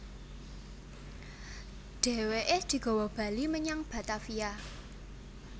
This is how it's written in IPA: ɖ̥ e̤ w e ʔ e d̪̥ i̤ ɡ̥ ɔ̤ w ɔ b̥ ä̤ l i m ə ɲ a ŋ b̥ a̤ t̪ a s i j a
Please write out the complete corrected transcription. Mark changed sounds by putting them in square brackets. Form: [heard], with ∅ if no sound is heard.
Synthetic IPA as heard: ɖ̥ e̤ w e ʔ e d̪̥ i̤ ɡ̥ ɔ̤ w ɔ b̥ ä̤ l i m ə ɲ a ŋ b̥ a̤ t̪ a [f] i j a